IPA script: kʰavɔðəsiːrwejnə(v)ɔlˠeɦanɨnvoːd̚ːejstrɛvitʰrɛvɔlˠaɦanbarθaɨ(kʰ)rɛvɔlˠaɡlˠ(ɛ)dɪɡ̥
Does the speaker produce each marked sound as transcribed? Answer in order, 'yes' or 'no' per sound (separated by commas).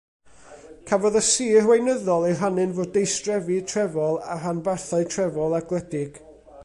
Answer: no, no, yes